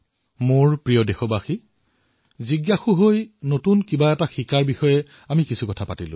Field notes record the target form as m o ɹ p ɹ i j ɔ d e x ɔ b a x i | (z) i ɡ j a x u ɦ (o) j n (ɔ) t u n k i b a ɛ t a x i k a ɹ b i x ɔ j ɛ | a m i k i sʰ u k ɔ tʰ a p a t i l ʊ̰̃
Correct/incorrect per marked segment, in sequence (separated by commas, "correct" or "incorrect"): correct, correct, incorrect